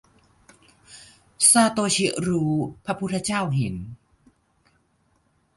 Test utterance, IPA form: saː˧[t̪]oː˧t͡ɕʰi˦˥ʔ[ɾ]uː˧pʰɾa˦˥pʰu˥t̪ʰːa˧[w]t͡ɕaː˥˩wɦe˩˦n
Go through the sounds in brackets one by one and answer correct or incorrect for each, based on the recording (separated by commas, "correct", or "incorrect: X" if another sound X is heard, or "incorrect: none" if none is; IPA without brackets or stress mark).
correct, correct, incorrect: none